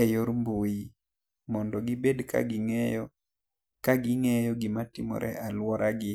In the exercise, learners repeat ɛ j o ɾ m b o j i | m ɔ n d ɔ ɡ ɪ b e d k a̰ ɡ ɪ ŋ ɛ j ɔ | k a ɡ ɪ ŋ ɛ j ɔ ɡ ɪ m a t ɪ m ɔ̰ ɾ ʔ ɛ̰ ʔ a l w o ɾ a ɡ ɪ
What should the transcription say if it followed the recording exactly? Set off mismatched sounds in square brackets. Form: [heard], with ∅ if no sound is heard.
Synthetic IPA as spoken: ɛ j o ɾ m b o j i | m ɔ n d ɔ ɡ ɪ b e d k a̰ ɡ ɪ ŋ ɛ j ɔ | k a ɡ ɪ ŋ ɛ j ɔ ɡ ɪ m a t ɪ m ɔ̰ ɾ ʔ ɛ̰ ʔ a l w [ɔ] ɾ a ɡ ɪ